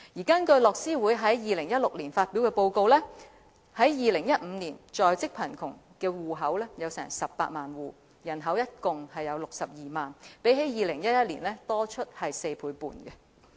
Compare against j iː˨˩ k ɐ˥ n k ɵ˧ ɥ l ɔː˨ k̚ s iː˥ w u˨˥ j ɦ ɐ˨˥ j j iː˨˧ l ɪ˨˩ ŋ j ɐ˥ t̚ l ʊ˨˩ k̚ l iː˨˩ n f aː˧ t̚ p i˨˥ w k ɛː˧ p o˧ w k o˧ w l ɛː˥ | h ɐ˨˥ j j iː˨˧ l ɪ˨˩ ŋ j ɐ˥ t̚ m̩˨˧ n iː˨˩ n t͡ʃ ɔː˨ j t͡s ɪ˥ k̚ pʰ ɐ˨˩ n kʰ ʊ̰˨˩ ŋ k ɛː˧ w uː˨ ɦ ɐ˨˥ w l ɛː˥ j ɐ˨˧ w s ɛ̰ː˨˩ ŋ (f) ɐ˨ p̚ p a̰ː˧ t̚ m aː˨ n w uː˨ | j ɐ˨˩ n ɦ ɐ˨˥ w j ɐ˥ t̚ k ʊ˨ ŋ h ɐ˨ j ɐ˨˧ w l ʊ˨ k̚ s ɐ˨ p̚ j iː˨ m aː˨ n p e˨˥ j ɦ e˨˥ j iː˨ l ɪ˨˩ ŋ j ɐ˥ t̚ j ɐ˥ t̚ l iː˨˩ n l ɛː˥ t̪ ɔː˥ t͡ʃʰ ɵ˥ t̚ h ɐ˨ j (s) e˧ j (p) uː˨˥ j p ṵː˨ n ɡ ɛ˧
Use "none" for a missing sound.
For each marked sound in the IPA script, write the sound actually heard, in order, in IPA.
s, s, pʰ

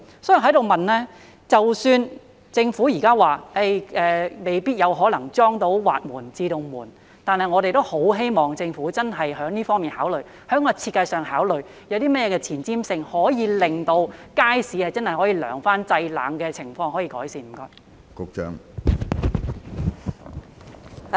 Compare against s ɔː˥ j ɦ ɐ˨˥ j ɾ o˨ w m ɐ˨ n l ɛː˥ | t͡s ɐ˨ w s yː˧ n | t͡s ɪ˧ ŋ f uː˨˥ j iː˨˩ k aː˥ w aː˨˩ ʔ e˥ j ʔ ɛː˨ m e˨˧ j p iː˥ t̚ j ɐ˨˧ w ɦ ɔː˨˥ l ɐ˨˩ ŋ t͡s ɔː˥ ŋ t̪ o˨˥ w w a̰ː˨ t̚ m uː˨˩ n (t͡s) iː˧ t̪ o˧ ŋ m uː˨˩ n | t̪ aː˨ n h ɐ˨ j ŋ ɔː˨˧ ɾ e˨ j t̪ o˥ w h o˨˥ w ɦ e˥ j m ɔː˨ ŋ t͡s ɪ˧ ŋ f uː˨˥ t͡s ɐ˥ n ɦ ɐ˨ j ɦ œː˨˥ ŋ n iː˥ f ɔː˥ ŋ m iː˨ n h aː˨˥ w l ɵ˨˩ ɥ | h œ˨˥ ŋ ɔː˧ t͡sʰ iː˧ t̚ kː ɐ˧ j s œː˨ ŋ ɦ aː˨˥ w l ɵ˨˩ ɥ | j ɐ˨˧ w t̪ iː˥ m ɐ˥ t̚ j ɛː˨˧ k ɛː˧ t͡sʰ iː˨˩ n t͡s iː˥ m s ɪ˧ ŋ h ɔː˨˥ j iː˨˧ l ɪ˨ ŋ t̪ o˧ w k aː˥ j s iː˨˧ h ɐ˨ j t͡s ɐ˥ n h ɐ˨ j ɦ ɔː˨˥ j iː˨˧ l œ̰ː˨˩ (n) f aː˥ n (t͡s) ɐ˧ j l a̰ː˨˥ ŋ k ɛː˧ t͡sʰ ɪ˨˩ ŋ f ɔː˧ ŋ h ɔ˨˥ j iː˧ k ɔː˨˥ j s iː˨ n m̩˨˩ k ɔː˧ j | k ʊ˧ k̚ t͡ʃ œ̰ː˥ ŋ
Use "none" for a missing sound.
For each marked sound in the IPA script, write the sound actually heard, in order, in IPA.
t͡s, ŋ, t͡s

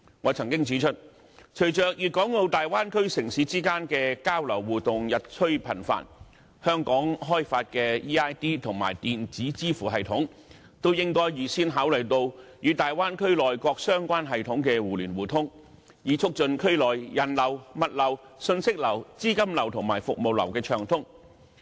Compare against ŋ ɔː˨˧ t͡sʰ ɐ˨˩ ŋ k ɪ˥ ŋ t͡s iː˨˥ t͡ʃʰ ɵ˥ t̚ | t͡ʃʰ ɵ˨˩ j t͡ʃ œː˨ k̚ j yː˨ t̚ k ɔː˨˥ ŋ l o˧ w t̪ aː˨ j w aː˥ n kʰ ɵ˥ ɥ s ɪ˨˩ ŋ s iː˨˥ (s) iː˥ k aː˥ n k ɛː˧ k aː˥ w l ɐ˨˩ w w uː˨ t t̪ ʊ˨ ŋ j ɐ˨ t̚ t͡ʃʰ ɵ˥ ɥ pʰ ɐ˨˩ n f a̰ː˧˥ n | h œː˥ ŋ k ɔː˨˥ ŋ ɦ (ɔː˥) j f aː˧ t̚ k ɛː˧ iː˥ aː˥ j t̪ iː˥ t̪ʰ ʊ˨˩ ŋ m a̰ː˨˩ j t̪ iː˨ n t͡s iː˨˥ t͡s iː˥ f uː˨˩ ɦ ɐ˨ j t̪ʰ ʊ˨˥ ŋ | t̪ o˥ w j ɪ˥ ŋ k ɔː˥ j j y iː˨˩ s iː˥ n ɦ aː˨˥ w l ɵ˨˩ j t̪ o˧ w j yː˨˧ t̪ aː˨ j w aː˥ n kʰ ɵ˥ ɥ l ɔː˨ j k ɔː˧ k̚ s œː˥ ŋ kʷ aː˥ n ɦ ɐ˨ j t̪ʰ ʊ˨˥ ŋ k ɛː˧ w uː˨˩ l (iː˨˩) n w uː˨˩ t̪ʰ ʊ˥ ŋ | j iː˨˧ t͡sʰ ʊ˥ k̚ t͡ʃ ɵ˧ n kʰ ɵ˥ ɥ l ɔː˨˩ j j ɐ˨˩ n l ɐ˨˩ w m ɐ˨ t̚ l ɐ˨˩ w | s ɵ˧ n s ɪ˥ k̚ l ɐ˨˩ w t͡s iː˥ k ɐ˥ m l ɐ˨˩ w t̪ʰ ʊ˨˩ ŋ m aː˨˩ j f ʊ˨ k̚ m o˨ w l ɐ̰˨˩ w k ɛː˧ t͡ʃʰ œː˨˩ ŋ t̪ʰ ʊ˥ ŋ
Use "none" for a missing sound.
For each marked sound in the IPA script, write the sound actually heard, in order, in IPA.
t͡s, ɔː˥, yː˨˩

